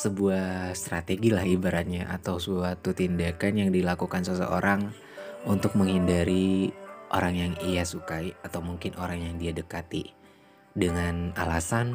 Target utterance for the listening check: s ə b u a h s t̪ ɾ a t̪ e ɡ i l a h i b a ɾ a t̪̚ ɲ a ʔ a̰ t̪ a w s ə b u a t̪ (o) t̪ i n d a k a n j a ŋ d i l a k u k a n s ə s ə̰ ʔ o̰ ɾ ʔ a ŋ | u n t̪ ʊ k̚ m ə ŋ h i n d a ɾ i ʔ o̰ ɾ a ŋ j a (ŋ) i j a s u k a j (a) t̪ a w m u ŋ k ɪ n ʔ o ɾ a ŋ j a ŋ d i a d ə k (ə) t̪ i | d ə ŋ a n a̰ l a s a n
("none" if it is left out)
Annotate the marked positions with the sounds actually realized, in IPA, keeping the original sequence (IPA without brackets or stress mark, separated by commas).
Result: u, ŋ, a, a